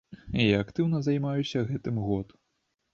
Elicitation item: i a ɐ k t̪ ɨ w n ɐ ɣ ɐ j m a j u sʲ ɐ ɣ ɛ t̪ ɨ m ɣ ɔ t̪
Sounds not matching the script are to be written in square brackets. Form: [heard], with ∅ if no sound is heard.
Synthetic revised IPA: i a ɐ k t̪ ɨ w n ɐ [z] ɐ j m a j u sʲ ɐ ɣ ɛ t̪ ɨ m ɣ ɔ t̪